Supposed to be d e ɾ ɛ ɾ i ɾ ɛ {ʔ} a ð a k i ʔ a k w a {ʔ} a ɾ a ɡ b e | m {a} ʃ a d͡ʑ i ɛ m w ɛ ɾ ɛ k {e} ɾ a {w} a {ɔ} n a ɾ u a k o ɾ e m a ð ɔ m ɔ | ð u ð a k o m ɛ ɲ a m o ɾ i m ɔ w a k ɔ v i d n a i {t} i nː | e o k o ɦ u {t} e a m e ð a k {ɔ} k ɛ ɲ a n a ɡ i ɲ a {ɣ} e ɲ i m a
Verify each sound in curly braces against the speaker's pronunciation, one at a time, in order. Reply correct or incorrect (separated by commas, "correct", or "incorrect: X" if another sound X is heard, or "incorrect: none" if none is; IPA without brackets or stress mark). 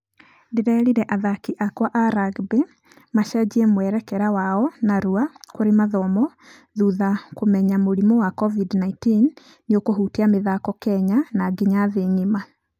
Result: correct, correct, correct, incorrect: ɛ, correct, correct, correct, correct, correct, incorrect: ð